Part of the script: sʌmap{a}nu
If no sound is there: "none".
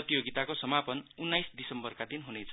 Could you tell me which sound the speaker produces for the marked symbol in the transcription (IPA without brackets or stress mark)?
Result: ʌ